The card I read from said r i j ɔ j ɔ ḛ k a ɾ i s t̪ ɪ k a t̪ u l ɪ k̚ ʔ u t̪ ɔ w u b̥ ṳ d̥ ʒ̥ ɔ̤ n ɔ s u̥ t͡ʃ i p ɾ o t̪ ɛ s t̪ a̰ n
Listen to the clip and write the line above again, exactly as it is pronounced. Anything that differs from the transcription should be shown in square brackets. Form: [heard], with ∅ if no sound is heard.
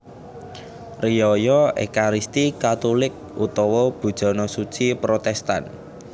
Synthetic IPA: r i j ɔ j ɔ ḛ k a ɾ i s t̪ [i] k a t̪ u l ɪ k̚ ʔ u t̪ ɔ w [ɔ] b̥ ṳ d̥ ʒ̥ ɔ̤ n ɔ s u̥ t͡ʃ i p ɾ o t̪ ɛ s t̪ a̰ n